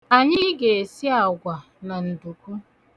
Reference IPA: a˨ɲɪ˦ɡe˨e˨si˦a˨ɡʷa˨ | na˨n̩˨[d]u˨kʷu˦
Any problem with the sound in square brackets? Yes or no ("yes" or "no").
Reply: no